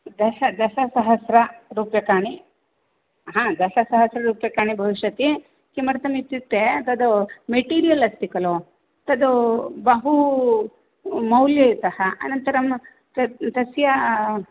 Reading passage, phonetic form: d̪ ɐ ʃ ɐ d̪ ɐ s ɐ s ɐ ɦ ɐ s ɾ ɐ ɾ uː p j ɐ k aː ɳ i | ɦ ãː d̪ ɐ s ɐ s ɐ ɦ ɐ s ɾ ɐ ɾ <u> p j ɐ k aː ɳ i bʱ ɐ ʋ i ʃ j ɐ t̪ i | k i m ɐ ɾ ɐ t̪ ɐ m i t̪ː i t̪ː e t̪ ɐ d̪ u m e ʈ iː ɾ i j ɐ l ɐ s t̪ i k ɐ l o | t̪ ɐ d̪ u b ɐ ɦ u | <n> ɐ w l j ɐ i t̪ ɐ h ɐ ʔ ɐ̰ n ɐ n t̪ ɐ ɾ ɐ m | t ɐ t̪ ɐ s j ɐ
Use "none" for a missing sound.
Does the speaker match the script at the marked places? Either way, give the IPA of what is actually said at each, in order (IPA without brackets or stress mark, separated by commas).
uː, m